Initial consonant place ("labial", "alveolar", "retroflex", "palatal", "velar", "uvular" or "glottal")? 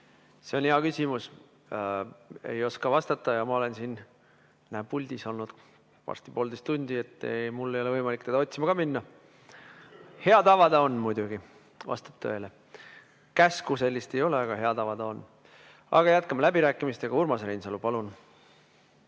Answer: alveolar